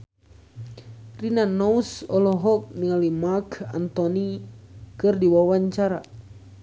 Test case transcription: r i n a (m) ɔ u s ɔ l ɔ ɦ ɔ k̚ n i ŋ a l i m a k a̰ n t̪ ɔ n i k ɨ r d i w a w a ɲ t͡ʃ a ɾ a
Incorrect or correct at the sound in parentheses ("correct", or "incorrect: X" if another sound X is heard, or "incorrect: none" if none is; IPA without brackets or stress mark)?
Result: incorrect: n